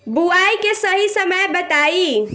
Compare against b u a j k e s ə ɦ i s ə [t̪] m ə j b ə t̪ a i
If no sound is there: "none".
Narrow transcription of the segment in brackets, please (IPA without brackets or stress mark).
none